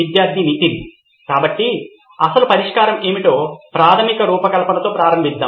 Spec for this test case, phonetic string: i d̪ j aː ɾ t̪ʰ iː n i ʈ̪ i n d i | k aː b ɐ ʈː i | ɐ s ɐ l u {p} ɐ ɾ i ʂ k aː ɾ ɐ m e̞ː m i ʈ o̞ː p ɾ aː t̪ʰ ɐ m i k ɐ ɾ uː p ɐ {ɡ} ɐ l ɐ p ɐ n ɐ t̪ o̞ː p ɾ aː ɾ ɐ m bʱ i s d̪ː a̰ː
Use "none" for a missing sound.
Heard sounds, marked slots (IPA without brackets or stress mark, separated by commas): p, k